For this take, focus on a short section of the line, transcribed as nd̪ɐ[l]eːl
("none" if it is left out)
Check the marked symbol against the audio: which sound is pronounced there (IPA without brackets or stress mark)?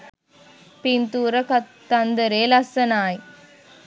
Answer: ɾ